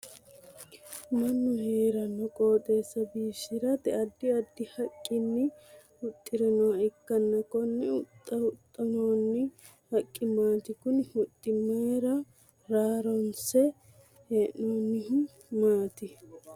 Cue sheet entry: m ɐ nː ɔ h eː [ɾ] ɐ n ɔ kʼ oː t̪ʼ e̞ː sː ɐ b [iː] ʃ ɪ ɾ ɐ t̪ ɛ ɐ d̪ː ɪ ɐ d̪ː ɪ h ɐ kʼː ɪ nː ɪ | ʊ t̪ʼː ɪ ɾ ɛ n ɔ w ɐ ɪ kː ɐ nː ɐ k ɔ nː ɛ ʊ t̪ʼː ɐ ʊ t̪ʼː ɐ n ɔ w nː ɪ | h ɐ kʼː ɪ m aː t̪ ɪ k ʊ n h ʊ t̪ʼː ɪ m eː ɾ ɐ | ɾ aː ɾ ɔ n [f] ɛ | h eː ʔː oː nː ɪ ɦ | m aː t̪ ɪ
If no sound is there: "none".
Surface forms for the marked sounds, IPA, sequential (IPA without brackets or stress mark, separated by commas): ɾ, iː, s